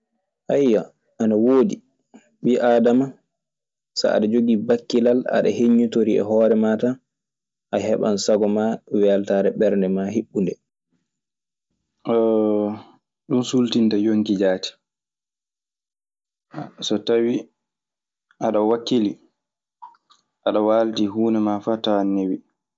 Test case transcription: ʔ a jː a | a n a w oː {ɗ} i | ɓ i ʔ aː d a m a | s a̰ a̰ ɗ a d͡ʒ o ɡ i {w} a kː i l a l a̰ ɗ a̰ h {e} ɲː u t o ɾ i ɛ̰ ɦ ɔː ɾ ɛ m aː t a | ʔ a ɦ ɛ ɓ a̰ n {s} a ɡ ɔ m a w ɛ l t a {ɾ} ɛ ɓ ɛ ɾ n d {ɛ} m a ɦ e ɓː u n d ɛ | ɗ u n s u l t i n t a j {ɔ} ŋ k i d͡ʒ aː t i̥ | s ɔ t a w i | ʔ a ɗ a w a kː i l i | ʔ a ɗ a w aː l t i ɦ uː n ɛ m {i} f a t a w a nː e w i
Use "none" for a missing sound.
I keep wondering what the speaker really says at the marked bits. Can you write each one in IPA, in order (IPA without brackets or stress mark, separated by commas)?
d, b, e, s, ɾ, ɛ, o, a